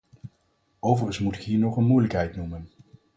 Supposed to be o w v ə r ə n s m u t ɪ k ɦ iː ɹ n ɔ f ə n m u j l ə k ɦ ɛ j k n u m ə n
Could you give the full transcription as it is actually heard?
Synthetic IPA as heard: o w v ə r ə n s m u t ɪ k ɦ iː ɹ n ɔ χ ə n m u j l ə k ɦ ɛ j t n u m ə n